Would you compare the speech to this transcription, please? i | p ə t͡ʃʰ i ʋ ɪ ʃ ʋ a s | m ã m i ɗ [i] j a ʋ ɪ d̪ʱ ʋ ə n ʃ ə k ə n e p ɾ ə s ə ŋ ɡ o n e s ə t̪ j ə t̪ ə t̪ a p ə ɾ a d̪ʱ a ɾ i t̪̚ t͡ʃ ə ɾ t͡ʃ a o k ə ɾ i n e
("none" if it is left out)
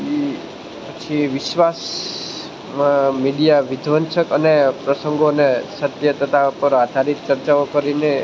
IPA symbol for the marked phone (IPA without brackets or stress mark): i